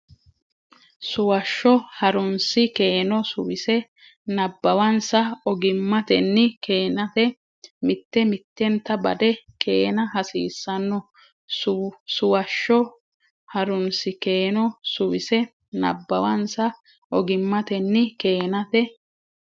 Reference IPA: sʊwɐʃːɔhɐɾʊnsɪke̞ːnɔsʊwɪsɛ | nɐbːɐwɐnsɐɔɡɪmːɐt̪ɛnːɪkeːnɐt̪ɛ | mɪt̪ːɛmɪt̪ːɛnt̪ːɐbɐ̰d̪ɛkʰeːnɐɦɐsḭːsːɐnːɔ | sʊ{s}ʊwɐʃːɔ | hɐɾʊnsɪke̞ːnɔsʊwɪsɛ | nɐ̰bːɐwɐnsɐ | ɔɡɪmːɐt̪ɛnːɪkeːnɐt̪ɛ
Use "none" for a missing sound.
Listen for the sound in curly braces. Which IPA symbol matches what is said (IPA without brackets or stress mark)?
s